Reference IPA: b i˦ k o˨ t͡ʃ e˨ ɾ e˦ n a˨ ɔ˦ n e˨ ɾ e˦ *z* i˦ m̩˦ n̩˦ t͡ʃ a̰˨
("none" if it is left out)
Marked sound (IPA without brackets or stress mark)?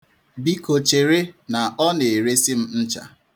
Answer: s